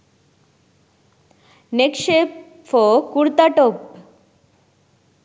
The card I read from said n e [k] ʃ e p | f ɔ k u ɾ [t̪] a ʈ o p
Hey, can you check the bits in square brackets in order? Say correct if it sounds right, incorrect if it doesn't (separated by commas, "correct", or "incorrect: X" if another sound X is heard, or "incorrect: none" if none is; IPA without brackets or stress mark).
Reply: correct, correct